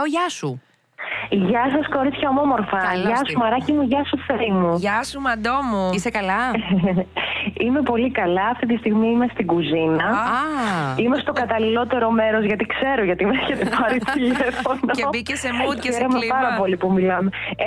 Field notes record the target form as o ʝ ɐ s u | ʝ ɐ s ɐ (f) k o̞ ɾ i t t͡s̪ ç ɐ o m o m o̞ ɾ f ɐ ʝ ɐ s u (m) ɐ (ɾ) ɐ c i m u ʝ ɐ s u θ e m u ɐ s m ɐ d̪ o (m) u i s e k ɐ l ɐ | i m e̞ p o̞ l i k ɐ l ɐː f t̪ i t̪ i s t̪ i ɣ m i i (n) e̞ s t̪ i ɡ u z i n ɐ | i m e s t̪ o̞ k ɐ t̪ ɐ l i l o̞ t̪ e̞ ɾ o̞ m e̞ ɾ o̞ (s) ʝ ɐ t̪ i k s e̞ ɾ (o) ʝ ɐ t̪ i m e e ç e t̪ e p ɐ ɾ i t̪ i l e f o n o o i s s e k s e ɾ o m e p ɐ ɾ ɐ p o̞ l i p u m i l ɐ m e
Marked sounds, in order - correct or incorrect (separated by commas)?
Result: incorrect, correct, correct, correct, incorrect, incorrect, correct